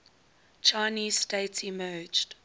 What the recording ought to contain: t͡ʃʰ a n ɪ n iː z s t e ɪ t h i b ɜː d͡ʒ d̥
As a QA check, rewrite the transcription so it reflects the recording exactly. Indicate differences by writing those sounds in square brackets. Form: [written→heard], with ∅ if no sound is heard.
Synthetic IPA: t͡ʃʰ a [n→∅] ɪ n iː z s t e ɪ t [h→s] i [b→m] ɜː d͡ʒ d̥